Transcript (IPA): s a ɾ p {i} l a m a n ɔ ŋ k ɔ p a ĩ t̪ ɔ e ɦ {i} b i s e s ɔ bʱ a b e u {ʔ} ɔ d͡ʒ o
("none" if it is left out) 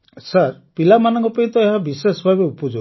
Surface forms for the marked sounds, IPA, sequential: i, a, p

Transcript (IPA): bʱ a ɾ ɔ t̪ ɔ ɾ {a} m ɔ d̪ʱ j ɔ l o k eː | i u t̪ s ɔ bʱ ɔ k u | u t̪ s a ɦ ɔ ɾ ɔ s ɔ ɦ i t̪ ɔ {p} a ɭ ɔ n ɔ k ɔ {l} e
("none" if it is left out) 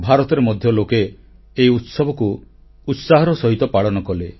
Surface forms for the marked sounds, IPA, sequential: e, p, l

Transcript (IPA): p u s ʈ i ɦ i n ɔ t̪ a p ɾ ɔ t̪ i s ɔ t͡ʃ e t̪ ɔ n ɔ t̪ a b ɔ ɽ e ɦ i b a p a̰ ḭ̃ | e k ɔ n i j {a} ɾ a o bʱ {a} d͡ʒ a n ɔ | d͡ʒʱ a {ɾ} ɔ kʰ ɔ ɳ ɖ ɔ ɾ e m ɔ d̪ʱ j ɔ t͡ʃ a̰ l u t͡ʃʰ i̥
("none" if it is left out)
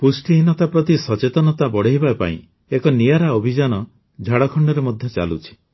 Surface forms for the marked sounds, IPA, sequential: a, i, ɽ

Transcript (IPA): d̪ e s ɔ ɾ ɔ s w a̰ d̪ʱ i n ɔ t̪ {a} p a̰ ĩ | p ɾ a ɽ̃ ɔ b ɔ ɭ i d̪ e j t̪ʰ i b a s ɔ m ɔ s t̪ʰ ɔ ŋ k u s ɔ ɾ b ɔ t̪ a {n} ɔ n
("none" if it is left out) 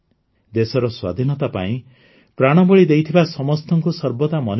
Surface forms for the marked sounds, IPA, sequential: a, m

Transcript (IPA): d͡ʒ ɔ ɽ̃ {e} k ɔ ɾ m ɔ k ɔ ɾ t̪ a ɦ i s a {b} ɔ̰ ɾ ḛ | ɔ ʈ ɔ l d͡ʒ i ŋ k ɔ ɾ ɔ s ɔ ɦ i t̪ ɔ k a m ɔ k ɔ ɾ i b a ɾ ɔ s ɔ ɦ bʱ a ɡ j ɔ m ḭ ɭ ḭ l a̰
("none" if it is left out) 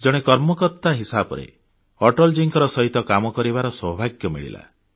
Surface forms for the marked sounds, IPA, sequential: e, b

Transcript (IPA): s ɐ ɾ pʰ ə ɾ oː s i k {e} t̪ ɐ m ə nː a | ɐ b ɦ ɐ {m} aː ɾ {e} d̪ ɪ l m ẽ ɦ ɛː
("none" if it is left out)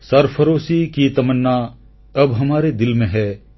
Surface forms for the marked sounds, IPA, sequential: i, m, e

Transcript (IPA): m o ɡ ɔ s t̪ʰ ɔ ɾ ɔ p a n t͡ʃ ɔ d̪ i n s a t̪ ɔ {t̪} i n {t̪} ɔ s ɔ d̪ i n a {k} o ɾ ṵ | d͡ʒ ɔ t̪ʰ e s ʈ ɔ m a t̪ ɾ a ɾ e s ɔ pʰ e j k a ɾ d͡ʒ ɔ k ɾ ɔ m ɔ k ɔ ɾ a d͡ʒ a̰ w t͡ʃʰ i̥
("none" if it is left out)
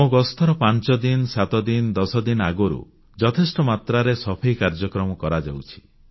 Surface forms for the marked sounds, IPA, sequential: d̪, d̪, ɡ

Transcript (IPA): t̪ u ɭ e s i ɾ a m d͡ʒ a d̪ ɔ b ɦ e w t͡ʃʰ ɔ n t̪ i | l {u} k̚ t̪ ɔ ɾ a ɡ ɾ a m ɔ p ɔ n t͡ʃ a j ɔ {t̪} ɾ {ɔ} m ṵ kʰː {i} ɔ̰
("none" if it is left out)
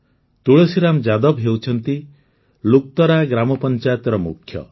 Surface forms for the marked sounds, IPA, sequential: u, t̪, ɔ, j

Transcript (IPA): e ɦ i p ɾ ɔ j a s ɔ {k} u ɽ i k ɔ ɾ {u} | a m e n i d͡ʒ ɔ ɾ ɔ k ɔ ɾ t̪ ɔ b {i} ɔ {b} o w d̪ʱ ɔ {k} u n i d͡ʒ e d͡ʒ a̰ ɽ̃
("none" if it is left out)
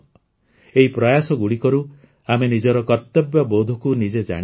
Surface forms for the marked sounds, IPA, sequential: ɡ, u, j, b, k

